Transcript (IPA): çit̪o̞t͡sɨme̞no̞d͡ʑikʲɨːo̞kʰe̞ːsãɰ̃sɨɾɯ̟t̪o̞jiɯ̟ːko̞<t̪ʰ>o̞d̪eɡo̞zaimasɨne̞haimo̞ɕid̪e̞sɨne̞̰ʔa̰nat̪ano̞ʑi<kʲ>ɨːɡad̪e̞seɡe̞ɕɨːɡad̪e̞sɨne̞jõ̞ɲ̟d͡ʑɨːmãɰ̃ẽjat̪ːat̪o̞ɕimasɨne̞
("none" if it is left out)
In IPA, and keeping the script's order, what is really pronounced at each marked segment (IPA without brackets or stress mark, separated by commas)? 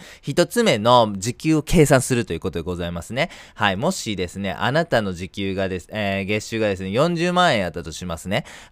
t̪, kʲ